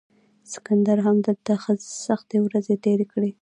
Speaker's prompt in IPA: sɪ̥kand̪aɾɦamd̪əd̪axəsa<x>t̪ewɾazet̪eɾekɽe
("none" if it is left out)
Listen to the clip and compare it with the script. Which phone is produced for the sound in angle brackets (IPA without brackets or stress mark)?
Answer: x